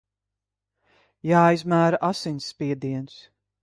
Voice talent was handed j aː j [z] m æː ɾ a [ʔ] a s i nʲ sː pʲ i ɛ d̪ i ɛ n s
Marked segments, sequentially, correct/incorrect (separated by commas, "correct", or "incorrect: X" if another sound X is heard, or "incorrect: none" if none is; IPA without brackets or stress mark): correct, correct